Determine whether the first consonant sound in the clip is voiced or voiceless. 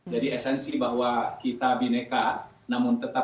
voiced